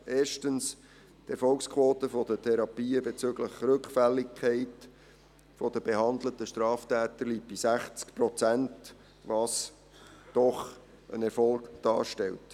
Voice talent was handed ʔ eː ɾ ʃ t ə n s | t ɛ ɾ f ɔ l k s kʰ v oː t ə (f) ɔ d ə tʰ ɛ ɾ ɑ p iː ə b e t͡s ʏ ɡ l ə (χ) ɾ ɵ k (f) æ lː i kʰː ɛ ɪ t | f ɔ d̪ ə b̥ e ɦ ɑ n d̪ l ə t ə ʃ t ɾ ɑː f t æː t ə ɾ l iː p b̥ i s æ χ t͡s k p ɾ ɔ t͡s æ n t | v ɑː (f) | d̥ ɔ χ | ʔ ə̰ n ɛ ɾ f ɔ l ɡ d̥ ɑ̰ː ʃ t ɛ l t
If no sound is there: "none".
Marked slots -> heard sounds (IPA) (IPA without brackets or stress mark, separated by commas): f, χ, f, s